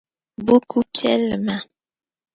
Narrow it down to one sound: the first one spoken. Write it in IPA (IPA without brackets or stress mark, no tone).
b